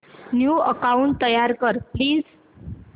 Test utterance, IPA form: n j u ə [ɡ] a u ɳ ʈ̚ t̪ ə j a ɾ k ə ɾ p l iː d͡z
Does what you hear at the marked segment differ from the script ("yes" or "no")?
yes